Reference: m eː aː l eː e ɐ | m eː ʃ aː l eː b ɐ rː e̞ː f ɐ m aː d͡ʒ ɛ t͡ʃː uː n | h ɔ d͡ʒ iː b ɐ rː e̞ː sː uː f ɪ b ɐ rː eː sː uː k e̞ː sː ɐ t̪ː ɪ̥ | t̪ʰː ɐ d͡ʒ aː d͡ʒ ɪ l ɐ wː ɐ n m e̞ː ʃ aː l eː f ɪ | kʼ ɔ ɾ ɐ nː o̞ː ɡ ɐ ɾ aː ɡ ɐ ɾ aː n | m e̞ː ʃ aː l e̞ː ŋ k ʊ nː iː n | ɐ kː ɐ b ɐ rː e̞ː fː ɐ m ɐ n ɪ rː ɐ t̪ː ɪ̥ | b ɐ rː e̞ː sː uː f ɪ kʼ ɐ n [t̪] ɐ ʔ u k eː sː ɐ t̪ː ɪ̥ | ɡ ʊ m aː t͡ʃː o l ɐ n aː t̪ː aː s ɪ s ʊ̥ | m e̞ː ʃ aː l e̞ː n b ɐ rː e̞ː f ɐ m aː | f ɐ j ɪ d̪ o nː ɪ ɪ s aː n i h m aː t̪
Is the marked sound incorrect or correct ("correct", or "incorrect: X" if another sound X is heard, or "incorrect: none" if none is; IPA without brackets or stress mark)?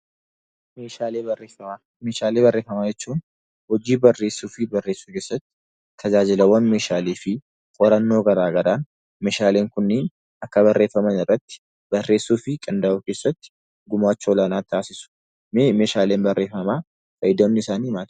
incorrect: d̪